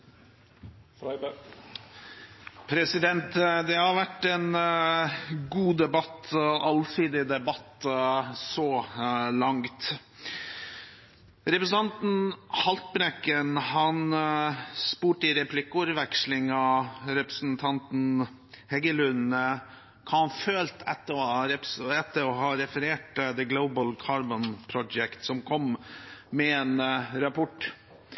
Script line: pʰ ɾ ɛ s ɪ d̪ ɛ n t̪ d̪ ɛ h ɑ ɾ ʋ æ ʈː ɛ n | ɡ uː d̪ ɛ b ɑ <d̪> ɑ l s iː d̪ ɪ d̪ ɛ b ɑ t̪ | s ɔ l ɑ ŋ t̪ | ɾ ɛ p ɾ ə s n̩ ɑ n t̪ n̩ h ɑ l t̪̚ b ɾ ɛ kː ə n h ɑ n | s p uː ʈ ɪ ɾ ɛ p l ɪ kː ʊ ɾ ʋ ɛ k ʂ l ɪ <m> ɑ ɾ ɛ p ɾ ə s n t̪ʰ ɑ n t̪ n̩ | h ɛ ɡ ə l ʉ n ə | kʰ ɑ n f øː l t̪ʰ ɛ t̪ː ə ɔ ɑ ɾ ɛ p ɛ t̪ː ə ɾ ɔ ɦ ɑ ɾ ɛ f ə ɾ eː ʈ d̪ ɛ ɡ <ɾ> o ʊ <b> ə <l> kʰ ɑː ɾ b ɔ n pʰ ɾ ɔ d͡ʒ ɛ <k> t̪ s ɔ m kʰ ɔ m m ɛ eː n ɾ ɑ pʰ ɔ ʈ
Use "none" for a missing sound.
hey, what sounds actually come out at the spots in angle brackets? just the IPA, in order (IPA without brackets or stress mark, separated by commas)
t̪, ŋ, l, b, l, k